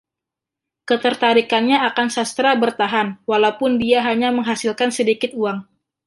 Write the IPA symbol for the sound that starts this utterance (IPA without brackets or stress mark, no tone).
k